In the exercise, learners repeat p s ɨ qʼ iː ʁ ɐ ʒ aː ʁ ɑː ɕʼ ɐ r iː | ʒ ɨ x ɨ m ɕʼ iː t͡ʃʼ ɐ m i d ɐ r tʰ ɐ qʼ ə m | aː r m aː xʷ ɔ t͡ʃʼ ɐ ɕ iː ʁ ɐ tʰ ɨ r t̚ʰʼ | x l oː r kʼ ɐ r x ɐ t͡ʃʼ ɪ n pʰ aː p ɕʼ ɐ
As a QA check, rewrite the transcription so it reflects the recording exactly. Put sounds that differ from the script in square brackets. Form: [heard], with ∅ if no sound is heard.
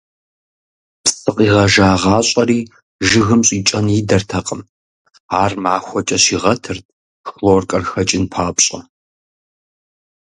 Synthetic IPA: p s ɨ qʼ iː ʁ ɐ ʒ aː ʁ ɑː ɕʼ ɐ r iː | ʒ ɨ [ɣ] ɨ m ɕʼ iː t͡ʃʼ ɐ [n] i d ɐ r tʰ ɐ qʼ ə m | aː r m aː xʷ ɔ t͡ʃʼ ɐ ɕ iː ʁ ɐ tʰ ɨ r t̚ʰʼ | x l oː r kʼ ɐ r x ɐ t͡ʃʼ ɪ n pʰ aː p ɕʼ ɐ

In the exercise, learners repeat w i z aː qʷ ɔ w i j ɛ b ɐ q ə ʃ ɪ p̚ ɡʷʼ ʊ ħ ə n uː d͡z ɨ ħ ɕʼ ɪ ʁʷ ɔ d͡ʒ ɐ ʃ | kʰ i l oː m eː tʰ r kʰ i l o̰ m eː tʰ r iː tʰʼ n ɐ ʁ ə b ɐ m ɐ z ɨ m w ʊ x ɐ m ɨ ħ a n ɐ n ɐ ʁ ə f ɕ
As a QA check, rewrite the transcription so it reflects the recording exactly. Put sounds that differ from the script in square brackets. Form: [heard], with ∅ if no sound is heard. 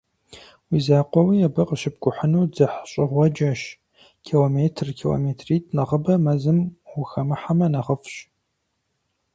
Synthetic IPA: w i z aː qʷ ɔ w i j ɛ b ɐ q ə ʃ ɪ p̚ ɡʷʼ ʊ ħ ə n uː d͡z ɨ ħ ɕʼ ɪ ʁʷ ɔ d͡ʒ ɐ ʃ | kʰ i l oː m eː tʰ r kʰ i l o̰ m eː tʰ r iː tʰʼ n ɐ ʁ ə b ɐ m ɐ z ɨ m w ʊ x ɐ m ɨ ħ a [m] ɐ n ɐ ʁ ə f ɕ

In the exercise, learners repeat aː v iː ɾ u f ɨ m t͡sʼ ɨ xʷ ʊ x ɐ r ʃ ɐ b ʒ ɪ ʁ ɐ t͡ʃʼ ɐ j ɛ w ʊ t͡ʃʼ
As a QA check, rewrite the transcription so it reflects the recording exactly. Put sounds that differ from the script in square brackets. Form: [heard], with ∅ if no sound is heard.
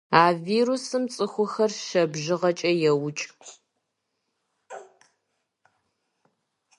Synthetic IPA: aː v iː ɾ u [s] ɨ m t͡sʼ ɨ xʷ ʊ x ɐ r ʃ ɐ b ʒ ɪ ʁ ɐ t͡ʃʼ ɐ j ɛ w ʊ t͡ʃʼ

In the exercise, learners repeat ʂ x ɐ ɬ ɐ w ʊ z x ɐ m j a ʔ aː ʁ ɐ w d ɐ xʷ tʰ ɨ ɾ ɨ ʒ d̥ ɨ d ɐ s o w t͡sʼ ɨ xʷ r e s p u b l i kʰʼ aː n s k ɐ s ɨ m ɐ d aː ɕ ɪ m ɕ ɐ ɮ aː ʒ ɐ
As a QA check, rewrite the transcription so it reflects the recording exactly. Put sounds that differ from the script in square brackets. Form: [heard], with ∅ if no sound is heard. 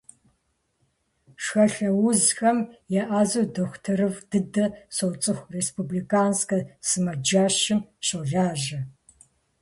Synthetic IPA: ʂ x ɐ ɬ ɐ w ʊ z x ɐ m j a ʔ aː [z] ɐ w d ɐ xʷ tʰ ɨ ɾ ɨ [v] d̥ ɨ d ɐ s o w t͡sʼ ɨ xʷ r e s p u b l i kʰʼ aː n s k ɐ s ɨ m ɐ [d͡ʒ] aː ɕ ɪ m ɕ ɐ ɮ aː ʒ ɐ

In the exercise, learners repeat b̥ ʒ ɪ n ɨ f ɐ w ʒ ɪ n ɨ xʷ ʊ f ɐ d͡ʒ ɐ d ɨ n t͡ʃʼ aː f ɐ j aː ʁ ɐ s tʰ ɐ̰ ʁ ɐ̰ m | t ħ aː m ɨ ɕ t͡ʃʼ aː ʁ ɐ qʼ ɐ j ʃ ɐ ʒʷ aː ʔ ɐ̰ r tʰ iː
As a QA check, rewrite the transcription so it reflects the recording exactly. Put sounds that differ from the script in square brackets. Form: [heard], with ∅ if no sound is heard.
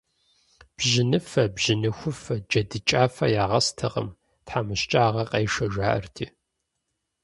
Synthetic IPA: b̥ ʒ ɪ n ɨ f ɐ [b] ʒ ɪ n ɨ xʷ ʊ f ɐ d͡ʒ ɐ d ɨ [∅] t͡ʃʼ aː f ɐ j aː ʁ ɐ s tʰ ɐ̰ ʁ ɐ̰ m | t ħ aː m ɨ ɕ t͡ʃʼ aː ʁ ɐ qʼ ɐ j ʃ ɐ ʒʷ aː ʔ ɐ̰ r tʰ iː

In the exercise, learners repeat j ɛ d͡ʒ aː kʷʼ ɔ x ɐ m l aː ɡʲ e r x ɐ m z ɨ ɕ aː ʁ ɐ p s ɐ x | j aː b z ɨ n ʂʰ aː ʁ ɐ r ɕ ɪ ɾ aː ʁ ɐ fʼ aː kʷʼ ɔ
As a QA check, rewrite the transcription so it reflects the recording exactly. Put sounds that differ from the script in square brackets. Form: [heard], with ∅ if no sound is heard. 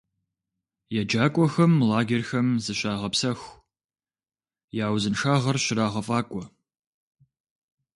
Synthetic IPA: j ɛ d͡ʒ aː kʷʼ ɔ x ɐ m l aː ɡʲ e r x ɐ m z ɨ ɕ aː ʁ ɐ p s ɐ x | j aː [w] z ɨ n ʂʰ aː ʁ ɐ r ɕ ɪ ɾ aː ʁ ɐ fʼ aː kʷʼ ɔ

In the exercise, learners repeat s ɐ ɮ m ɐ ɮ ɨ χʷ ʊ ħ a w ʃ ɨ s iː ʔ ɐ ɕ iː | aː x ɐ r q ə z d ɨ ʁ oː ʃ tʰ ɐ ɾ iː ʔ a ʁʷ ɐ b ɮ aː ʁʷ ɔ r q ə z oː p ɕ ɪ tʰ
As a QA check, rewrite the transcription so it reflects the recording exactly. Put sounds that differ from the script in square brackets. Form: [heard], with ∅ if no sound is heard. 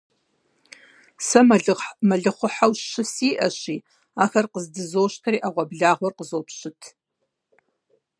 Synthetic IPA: s ɐ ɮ m ɐ ɮ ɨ χʷ ʊ ħ a w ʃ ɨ s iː ʔ ɐ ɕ iː | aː x ɐ r q ə z d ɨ [z] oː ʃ tʰ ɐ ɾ iː ʔ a ʁʷ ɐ b ɮ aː ʁʷ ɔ r q ə z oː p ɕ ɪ tʰ

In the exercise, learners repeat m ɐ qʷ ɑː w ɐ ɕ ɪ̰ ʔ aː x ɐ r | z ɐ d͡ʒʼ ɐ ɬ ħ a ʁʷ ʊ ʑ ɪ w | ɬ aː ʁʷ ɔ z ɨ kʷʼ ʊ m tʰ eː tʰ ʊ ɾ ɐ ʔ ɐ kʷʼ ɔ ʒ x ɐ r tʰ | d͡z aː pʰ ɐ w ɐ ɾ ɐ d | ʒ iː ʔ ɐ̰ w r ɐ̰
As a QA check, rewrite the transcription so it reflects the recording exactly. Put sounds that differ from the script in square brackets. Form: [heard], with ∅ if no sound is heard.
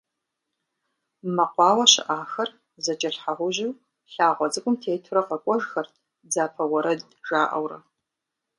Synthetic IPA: m ɐ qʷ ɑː w ɐ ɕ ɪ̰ ʔ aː x ɐ r | z ɐ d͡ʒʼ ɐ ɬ ħ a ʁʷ ʊ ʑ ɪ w | ɬ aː ʁʷ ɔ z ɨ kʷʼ ʊ m tʰ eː tʰ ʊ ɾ ɐ [q] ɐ kʷʼ ɔ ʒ x ɐ r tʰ | d͡z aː pʰ ɐ w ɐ ɾ ɐ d | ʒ [aː] ʔ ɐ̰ w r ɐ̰

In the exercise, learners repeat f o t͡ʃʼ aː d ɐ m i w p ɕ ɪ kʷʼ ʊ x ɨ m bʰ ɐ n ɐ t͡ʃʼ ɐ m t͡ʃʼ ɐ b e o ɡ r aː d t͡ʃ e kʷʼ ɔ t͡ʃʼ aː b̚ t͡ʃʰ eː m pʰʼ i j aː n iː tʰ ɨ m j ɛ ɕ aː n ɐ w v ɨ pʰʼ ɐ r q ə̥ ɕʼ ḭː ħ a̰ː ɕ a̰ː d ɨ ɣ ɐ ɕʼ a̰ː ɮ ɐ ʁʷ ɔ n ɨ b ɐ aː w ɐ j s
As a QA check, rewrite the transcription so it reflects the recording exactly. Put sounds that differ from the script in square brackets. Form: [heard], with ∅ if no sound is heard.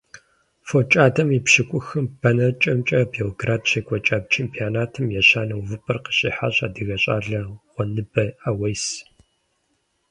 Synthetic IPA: f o t͡ʃʼ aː d ɐ m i [∅] p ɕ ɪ kʷʼ ʊ x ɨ m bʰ ɐ n ɐ t͡ʃʼ ɐ m t͡ʃʼ ɐ b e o ɡ r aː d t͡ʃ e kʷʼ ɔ t͡ʃʼ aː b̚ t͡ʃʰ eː m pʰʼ i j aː n [aː] tʰ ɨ m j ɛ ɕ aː n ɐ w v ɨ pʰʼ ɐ r q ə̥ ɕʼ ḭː ħ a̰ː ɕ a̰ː d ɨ ɣ ɐ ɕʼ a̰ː ɮ ɐ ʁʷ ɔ n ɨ b ɐ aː w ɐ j s

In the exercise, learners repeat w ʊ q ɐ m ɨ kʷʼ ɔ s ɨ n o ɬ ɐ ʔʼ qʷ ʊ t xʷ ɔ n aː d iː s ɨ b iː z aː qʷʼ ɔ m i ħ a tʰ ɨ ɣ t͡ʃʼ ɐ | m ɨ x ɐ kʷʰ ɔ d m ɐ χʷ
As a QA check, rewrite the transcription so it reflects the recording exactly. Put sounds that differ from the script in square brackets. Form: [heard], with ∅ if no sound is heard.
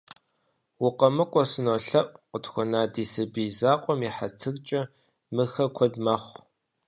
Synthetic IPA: w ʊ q ɐ m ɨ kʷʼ ɔ s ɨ n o ɬ ɐ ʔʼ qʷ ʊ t xʷ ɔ n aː d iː s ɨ b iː z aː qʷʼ ɔ m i ħ a tʰ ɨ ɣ t͡ʃʼ ɐ | m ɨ x ɐ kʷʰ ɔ d m ɐ χʷ

